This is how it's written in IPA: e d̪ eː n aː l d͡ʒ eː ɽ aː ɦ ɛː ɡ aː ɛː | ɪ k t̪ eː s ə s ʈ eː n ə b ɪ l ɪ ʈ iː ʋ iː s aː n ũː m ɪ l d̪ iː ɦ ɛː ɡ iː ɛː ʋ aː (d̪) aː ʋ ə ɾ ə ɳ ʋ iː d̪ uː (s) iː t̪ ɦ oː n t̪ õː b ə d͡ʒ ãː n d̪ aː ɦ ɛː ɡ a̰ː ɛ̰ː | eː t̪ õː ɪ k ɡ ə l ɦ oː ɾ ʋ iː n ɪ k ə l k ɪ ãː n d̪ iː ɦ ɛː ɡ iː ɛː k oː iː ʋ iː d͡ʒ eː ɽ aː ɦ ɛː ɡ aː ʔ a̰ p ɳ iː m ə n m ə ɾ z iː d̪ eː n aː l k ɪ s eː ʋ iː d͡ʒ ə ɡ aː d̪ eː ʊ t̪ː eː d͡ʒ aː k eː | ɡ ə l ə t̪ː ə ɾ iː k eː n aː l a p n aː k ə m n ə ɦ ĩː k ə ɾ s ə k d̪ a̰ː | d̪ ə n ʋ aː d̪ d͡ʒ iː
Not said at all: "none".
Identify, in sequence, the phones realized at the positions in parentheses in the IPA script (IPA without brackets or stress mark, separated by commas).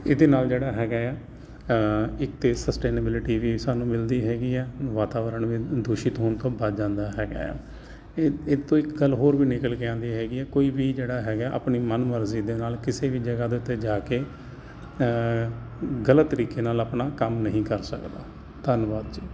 t̪, ʃ